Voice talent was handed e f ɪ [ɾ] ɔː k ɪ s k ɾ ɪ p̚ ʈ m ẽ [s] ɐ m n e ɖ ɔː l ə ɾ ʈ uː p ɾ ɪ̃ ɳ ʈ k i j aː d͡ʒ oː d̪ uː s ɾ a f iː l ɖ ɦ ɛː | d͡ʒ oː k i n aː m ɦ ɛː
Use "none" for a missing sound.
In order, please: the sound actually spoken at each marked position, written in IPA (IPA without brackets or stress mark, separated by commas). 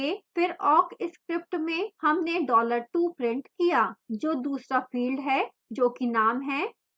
ɾ, h